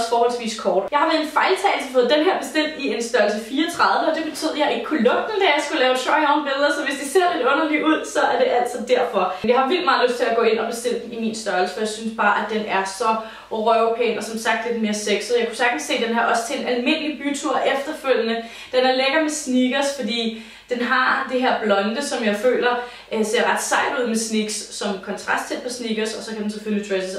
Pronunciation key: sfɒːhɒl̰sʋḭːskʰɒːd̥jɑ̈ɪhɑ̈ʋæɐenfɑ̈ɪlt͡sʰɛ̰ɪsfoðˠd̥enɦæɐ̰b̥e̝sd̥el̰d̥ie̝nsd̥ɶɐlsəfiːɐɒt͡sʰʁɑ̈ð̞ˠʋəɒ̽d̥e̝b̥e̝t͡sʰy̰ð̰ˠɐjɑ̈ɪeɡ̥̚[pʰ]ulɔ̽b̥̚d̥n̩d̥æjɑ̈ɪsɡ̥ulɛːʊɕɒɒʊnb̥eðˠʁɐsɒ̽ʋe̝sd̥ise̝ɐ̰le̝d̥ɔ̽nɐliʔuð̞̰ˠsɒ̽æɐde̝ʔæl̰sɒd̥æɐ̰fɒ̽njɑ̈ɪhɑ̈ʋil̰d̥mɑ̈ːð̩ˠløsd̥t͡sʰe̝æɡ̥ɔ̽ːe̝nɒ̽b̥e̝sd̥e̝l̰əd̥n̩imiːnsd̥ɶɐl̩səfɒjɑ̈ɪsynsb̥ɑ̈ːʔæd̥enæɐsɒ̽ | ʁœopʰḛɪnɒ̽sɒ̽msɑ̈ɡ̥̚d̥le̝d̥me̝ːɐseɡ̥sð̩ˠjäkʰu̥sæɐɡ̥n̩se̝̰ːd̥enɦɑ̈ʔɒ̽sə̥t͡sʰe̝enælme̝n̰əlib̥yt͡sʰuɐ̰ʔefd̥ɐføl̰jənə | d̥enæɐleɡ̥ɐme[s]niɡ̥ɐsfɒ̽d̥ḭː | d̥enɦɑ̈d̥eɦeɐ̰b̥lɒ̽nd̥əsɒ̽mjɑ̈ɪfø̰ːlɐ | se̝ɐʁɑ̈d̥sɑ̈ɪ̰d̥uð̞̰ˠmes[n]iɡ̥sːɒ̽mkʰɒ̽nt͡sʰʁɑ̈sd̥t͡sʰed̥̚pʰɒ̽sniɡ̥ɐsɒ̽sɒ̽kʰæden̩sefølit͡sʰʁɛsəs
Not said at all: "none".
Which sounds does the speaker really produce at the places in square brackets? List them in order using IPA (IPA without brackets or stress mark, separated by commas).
kʰ, s, n